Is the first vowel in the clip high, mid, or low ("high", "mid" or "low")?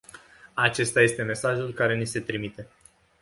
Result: low